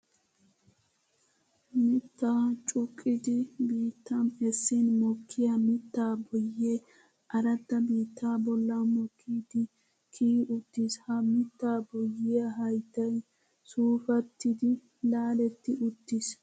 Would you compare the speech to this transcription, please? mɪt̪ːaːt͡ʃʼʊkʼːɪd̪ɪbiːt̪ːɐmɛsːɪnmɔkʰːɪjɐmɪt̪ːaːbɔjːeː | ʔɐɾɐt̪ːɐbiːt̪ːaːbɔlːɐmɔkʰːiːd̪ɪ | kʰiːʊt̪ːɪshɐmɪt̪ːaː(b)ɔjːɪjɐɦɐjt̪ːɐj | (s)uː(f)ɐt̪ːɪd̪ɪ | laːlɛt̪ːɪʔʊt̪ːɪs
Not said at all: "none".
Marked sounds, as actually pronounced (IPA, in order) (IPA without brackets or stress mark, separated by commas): b, s, f